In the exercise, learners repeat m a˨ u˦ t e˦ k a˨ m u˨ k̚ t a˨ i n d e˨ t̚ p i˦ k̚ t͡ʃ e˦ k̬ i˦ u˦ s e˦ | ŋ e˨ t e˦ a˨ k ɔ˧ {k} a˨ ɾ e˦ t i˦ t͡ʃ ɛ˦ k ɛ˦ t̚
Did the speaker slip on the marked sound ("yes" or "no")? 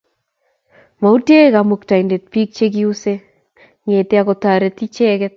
yes